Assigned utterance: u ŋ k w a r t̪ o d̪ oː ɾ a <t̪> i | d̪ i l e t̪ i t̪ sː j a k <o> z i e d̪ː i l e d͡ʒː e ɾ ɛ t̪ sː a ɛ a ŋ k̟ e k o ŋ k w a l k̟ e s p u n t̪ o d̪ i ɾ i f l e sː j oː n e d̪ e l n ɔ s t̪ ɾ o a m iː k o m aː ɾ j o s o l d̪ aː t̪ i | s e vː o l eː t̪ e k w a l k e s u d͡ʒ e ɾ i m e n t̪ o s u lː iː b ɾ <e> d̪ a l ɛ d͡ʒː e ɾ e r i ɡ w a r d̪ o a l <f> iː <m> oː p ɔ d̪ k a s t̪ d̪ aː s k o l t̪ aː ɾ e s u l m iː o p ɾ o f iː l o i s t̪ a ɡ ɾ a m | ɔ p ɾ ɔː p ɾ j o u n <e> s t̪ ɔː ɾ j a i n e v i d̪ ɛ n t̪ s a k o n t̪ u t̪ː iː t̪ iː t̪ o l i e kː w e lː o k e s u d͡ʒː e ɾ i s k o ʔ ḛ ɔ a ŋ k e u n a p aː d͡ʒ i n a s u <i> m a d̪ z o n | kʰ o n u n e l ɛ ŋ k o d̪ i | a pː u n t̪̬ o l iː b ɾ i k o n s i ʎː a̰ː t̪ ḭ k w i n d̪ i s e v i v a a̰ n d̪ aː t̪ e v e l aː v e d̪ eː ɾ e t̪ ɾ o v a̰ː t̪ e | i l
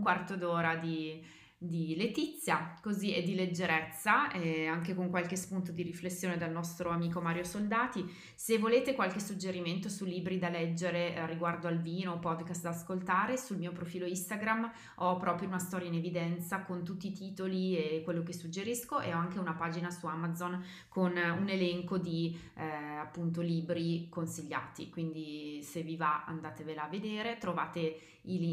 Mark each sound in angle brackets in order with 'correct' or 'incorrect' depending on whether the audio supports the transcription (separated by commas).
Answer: incorrect, correct, incorrect, incorrect, incorrect, incorrect, incorrect